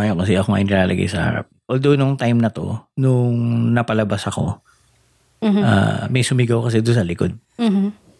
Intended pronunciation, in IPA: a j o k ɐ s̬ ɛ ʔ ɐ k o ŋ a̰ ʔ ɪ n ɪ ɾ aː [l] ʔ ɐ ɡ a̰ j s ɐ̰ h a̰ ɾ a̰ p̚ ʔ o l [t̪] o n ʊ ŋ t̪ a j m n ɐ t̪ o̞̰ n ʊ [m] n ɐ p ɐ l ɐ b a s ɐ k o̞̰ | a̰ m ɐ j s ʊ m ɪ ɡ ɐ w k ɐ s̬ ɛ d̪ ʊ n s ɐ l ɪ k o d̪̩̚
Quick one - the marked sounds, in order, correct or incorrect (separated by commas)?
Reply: correct, incorrect, incorrect